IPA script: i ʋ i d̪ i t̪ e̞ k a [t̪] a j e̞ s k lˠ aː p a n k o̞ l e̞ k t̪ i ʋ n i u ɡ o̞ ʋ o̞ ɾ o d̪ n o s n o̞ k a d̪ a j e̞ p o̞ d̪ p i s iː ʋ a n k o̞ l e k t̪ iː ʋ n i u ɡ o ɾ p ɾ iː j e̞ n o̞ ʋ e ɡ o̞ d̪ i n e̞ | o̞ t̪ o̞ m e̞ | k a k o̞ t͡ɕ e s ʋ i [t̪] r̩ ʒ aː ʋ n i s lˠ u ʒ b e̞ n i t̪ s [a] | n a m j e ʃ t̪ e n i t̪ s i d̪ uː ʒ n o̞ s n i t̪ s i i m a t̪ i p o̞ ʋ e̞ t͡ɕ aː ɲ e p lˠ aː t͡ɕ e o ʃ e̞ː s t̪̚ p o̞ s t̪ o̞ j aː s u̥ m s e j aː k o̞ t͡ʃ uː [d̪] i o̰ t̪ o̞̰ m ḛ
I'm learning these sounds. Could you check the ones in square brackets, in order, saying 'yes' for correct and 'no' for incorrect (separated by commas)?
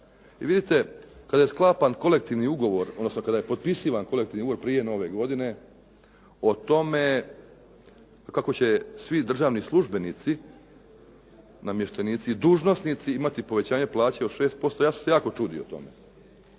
no, no, no, yes